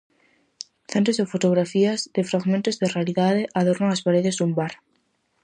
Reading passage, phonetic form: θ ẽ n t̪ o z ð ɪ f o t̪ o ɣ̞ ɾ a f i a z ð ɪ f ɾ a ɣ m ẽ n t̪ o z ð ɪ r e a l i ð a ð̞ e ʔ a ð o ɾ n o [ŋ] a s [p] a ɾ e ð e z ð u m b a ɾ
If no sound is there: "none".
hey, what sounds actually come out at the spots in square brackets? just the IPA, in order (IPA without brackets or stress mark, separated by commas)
ŋ, p